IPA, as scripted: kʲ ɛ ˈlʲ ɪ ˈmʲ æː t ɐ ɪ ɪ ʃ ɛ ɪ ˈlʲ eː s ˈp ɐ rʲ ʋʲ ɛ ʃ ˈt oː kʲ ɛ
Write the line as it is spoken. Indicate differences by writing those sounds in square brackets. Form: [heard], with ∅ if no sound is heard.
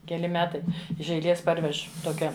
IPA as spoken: kʲ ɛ ˈlʲ ɪ ˈmʲ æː t ɐ ɪ ɪ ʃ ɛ ɪ ˈlʲ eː s ˈp ɐ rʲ ʋʲ ɛ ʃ ˈt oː kʲ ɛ